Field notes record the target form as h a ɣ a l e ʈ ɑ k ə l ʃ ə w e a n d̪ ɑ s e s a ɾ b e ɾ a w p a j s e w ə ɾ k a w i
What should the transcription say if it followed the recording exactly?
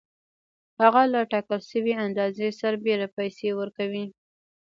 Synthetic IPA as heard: h a ɣ a l a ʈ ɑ k ə l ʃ ə w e a n d̪ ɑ z e s a ɾ b e ɾ a p a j s e w ə ɾ k a w i

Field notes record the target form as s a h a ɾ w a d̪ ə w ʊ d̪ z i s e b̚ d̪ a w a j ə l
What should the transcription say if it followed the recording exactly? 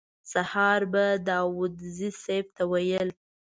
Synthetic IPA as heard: s a h ɑ ɾ b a d̪ ɑ w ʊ d̪ z i s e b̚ t̪ a w a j ə l

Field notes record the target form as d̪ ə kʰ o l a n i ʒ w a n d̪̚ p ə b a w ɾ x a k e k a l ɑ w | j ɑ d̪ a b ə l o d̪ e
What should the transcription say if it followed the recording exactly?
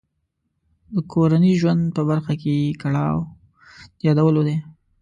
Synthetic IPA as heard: d̪ ə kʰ o ɾ a n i ʒ w a n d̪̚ p ə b a ɾ x a k e k a ɽ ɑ w | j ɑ d̪ a w ə l o d̪ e

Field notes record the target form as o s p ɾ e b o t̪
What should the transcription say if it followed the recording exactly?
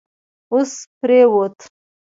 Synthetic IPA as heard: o s p ɾ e w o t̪

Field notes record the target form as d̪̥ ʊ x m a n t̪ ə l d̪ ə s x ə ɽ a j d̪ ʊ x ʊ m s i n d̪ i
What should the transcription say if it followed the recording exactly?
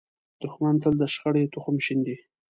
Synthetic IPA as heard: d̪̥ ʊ x m a n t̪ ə l d̪ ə ʃ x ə ɽ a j t̪ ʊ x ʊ m ʃ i n d̪ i

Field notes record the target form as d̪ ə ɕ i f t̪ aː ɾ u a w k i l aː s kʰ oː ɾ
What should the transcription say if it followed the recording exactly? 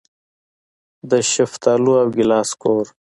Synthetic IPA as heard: d̪ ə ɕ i f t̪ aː l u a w ɡ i l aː s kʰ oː ɾ

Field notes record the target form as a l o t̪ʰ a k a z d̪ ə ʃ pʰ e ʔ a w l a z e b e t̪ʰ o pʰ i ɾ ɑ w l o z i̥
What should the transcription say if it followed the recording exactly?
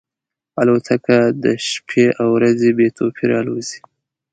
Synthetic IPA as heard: a l o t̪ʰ a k a d̪ ə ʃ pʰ e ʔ a w ɾ a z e b e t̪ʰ o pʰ i ɾ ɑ l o z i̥

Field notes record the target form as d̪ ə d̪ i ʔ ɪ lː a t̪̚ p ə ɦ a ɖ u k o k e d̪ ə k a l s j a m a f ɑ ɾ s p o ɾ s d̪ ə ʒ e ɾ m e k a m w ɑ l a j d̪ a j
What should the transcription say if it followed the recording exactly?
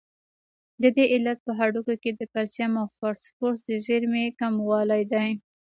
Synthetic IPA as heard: d̪ ə d̪ e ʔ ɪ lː a t̪̚ p ə ɦ a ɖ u k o k e d̪ ə k a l s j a m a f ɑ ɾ s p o ɾ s d̪ ə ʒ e ɾ m e k a m w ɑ l a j d̪ a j

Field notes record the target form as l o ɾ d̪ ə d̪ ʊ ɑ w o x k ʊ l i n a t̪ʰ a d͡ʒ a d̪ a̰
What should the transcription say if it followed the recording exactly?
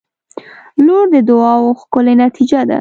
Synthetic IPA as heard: l o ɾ d̪ ə d̪ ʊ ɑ w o x k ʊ l e n a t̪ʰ i d͡ʒ a d̪ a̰

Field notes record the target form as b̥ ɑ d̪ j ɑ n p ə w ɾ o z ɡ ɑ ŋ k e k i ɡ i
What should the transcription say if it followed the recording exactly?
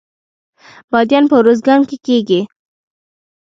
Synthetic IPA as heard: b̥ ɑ d̪ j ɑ n p ə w ɾ o z ɡ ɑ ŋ k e k e ɡ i

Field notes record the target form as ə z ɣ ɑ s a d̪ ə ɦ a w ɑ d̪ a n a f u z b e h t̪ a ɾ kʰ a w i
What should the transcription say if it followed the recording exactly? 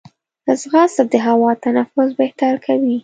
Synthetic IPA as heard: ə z ɣ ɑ s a d̪ ə ɦ a w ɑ t̪ a n a f ʊ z b e h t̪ a ɾ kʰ a w i

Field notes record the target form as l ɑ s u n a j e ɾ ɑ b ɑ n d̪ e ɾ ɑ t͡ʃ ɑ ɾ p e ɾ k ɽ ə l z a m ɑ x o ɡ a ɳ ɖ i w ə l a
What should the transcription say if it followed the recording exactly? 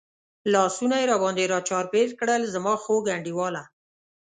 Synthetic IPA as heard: l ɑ s u n a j e ɾ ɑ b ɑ n d̪ e ɾ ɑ t͡ʃ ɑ ɾ p e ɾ k ɽ ə l z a m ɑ x o ɡ a ɳ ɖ i w ɑ l a

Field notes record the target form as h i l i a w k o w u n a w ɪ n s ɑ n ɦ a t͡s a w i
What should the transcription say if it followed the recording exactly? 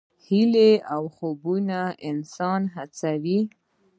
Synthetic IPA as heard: h i l e a w x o b u n a ɪ n s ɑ n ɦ a t͡s a w i

